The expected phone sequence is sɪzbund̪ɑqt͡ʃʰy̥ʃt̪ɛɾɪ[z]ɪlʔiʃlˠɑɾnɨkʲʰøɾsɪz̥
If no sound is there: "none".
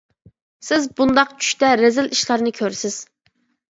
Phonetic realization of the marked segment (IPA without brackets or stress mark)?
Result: z